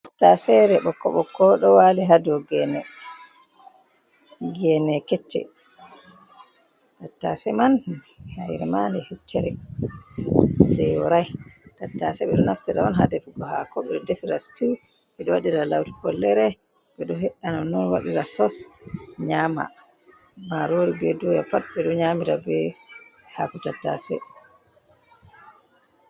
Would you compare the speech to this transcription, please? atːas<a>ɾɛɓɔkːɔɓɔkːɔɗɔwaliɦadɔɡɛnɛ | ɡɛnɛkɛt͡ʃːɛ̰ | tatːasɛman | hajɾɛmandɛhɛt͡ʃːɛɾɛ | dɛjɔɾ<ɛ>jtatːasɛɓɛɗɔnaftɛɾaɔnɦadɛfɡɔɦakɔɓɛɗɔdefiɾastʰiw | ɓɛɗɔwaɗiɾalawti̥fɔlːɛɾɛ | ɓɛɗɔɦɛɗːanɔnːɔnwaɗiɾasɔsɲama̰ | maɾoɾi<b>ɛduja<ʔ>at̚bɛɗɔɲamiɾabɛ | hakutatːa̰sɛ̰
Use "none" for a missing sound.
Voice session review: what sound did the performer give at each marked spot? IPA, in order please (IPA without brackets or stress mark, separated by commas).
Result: ɛ, a, b, p